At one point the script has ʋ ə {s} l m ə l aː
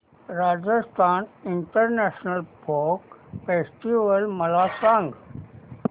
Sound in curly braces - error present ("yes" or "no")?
yes